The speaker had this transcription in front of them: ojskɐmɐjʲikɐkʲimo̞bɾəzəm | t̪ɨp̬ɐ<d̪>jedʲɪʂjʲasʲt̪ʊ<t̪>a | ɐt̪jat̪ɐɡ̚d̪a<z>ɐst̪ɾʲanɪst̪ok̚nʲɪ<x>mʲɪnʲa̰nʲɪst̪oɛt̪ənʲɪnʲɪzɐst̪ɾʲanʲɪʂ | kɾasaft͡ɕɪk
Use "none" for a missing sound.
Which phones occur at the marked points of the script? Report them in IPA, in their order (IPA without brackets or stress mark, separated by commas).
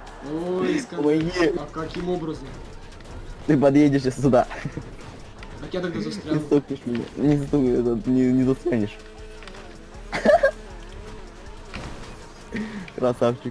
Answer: d̪, d̪, z, ʂ